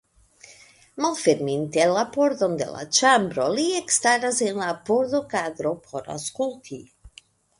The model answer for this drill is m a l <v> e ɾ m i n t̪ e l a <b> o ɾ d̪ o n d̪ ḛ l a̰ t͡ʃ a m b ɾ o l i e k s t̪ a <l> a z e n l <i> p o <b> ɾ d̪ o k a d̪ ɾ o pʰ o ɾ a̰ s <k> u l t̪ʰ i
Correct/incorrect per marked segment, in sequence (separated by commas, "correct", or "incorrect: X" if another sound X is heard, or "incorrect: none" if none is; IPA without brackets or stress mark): incorrect: f, incorrect: p, incorrect: ɾ, incorrect: a, incorrect: none, correct